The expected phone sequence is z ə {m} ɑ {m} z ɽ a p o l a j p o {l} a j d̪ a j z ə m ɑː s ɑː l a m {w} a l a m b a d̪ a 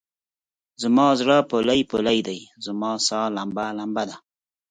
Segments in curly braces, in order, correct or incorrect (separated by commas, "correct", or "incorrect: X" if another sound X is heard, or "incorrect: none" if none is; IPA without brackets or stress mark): correct, incorrect: none, correct, incorrect: b